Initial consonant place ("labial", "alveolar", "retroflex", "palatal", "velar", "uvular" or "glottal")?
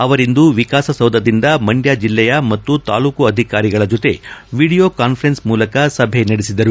labial